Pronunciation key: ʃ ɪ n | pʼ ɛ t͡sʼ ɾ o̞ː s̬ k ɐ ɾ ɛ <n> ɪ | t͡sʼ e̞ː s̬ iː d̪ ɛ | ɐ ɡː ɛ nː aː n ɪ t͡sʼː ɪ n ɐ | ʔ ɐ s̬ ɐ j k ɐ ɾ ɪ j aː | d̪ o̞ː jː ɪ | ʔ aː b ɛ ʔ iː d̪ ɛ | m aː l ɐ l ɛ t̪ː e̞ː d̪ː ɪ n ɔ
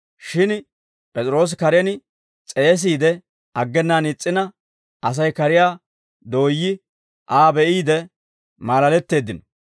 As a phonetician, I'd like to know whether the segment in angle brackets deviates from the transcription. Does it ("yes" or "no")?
no